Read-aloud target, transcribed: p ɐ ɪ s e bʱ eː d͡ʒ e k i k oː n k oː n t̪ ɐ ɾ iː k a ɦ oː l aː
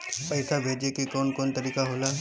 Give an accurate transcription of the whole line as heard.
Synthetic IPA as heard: p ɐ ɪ s a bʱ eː d͡ʒ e k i k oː n k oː n t̪ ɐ ɾ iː k a ɦ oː l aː

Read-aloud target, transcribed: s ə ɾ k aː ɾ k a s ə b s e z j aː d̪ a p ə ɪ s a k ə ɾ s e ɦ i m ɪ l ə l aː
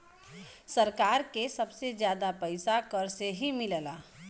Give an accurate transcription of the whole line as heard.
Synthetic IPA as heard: s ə ɾ k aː ɾ k e s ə b s e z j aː d̪ a p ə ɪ s a k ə ɾ s e ɦ i m ɪ l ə l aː

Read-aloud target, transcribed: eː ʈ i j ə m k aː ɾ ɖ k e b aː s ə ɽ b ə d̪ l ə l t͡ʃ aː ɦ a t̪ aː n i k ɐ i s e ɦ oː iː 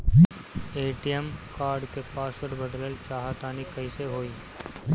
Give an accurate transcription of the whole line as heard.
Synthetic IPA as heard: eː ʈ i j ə m k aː ɾ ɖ k e p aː s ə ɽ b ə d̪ l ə l t͡ʃ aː ɦ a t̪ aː n i k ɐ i s e ɦ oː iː

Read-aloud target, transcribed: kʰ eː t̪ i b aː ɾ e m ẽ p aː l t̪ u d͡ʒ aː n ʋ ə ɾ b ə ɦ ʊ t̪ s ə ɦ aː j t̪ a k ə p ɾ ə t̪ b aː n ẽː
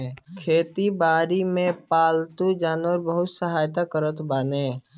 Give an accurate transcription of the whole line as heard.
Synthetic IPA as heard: kʰ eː t̪ i b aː ɾ i m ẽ p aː l t̪ u d͡ʒ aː n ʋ ə ɾ b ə ɦ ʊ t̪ s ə ɦ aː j t̪ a k ə ɾ ə t̪ b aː n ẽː

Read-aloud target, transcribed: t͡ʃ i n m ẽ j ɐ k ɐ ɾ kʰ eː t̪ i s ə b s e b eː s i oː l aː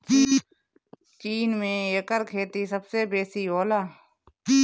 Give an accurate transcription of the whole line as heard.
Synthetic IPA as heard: t͡ʃ iː n m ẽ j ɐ k ə ɾ kʰ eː t̪ i s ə b s e b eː s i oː l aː

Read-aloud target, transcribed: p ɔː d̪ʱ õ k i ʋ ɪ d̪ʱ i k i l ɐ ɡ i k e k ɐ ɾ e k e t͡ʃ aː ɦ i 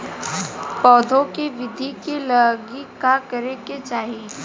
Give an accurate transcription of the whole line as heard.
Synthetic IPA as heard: p ɔː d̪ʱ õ k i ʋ ɪ d̪ʱ i k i l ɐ ɡ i k a k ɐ ɾ e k e t͡ʃ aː ɦ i

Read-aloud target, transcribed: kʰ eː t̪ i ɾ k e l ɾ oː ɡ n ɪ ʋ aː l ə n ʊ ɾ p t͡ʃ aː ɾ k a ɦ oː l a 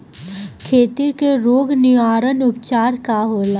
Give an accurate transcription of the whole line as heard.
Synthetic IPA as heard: kʰ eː t̪ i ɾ k e ɾ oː ɡ n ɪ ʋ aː ɾ ə n ʊ p t͡ʃ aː ɾ k a ɦ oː l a

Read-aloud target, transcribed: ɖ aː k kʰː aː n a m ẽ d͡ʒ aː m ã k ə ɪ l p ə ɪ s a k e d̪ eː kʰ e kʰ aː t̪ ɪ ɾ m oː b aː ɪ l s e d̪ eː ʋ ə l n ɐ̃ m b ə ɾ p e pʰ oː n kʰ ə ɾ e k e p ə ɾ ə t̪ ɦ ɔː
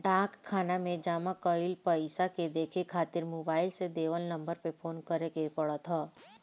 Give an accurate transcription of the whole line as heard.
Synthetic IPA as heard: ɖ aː k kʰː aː n a m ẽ d͡ʒ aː m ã k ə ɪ l p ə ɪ s a k e d̪ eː kʰ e kʰ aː t̪ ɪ ɾ m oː b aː ɪ l s e d̪ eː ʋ ə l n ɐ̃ m b ə ɾ p e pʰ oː n k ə ɾ e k e p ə ɽ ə t̪ ɦ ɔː

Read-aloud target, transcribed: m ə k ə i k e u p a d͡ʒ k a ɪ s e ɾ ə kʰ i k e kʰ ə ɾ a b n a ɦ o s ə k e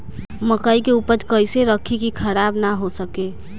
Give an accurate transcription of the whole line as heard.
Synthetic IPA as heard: m ə k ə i k e u p ə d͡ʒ k ə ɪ s e ɾ ə kʰ i k i kʰ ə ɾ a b n a ɦ o s ə k e

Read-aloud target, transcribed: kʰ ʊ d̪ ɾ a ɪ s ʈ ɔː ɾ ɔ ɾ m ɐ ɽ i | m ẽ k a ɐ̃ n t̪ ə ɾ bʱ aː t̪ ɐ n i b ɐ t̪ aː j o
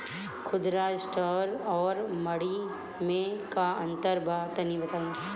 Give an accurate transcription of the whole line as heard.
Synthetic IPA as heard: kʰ ʊ d̪ ɾ a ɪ s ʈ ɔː ɾ ɔː ɾ m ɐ ɽ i | m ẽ k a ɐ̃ n t̪ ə ɾ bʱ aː t̪ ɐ n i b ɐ t̪ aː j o

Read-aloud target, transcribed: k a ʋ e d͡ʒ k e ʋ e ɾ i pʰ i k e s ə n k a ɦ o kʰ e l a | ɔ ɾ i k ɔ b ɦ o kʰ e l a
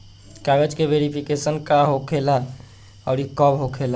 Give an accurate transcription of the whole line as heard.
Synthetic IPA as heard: k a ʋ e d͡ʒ k e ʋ e ɾ i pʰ i k e s ə n k a ɦ o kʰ e l a | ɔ ɾ i k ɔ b ɦ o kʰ e l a

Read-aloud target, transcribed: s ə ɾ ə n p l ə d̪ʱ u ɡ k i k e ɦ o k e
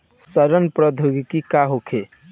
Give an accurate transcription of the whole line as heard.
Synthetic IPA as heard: s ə ɾ ə n p ɾ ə d̪ʱ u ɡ k i k a ɦ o kʰ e

